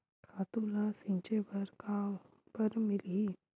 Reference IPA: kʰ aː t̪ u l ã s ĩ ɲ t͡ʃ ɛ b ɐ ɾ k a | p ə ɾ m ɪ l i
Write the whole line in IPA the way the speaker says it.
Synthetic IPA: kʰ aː t̪ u l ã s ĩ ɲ t͡ʃ e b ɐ ɾ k a | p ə ɾ m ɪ l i

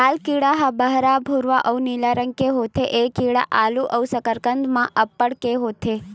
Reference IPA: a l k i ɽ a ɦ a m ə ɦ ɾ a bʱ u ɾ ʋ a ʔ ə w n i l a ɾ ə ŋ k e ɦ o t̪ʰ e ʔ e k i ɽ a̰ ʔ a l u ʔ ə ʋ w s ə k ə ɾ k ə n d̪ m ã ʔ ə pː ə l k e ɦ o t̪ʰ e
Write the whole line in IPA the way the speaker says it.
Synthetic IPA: a l k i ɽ a ɦ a b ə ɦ ɾ a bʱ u ɾ ʋ a ʔ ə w n i l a ɾ ə ŋ k e ɦ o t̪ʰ e ʔ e k i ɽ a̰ ʔ a l u ʔ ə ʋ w s ə k ə ɾ k ə n d̪ m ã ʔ ə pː ə ɽ k e ɦ o t̪ʰ e

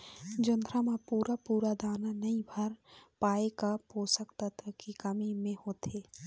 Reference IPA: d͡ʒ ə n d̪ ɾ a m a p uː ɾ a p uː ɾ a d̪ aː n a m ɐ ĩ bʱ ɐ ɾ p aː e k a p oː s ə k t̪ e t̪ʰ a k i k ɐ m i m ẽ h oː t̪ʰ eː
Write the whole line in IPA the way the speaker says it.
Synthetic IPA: d͡ʒ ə n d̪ ɾ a m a p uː ɾ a p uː ɾ a d̪ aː n a n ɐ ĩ bʱ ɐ ɾ p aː e k a p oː s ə k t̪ a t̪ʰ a k i k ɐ m i m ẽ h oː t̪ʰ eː

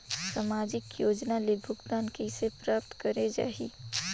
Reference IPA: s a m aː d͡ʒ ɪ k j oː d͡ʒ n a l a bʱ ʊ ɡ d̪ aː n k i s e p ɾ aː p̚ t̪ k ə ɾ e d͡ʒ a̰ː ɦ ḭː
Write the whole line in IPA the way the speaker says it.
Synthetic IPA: s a m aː d͡ʒ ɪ k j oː d͡ʒ n a l e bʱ ʊ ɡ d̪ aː n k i s e p ɾ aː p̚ t̪ k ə ɾ e d͡ʒ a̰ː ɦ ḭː

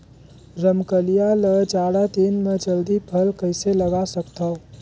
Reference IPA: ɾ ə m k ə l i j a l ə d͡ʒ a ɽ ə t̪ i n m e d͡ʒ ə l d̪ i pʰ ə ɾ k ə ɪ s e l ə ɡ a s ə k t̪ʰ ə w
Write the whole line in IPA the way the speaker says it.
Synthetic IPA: ɾ ə m k ə l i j a l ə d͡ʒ a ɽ a t̪ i n m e d͡ʒ ə l d̪ i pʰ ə l k ə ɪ s e l ə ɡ a s ə k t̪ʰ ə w

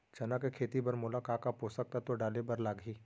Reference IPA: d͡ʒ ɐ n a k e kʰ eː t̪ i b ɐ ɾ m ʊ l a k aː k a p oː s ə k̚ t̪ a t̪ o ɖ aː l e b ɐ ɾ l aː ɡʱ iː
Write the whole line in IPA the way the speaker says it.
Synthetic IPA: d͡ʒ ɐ n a k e kʰ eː t̪ i b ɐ ɾ m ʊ l a k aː k a p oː s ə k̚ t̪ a t̪ o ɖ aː l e b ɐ ɾ l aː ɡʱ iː

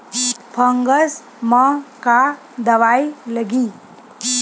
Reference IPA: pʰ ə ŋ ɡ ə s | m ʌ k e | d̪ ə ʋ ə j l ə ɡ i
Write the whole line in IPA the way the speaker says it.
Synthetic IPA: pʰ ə ŋ ɡ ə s | m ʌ k a | d̪ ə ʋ a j l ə ɡ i

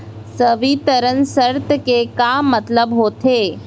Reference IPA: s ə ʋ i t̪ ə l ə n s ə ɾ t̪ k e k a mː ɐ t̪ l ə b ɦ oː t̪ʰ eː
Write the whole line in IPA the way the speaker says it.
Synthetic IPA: s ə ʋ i t̪ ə ɾ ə n s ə ɾ t̪ k e k a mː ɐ t̪ l ə b ɦ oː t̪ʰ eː

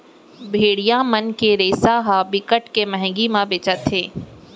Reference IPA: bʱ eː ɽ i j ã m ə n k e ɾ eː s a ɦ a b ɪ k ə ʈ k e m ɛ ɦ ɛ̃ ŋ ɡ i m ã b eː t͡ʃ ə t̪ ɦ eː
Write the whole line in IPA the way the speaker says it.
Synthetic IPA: bʱ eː ɽ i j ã m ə n k e ɾ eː s a ɦ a b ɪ k ə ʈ k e m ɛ ɦ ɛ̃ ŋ ɡ i m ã b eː t͡ʃ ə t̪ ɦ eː

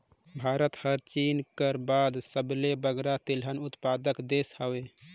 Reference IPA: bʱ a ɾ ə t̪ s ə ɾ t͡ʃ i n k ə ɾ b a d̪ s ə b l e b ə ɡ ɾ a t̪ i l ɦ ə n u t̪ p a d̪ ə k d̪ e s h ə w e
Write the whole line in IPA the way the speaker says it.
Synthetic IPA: bʱ a ɾ ə t̪ h ə ɾ t͡ʃ i n k ə ɾ b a d̪ s ə b l e b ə ɡ ɾ a t̪ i l ɦ ə n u t̪ p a d̪ ə k d̪ e s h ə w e

